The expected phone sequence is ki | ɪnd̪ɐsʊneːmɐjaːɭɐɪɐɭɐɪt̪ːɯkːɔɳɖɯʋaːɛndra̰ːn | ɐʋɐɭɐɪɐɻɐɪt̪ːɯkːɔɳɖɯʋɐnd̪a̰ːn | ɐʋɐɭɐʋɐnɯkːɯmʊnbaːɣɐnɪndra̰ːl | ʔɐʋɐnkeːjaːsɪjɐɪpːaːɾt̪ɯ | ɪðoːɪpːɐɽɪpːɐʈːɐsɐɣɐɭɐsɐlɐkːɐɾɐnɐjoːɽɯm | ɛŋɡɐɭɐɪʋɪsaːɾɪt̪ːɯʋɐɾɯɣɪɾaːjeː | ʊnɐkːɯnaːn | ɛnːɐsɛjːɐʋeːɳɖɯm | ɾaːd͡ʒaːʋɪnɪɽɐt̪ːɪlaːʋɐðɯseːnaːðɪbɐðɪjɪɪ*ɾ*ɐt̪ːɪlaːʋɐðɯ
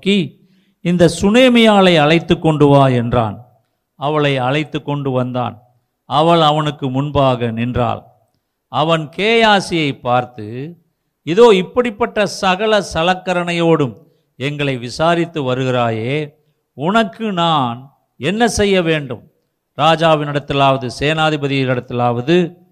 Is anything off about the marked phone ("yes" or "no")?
yes